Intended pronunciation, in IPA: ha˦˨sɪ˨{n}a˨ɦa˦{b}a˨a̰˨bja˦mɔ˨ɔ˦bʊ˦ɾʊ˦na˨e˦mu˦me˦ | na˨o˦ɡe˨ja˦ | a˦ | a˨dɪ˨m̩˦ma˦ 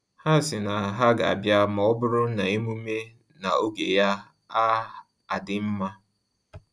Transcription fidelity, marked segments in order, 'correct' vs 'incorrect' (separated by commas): correct, incorrect